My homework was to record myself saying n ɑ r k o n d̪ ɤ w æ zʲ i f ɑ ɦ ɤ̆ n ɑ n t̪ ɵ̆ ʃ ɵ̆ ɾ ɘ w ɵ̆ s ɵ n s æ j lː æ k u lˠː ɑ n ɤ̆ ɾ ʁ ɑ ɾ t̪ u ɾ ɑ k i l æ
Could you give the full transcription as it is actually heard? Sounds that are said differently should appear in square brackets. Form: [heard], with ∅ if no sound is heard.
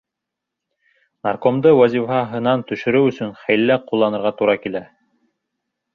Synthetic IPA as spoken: n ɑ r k o [m] d̪ ɤ w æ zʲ i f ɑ ɦ ɤ̆ n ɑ n t̪ ɵ̆ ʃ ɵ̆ ɾ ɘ w ɵ̆ s ɵ n [χ] æ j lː æ [q] u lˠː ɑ n ɤ̆ ɾ ʁ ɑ [∅] t̪ u ɾ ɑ k i l æ